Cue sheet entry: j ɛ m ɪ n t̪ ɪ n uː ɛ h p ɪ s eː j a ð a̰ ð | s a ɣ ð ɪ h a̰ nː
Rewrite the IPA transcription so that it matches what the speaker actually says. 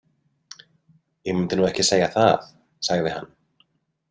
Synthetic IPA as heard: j ɛ m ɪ n t̪ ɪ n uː ɛ h c ɪ s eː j a θ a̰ ð | s a ɣ ð ɪ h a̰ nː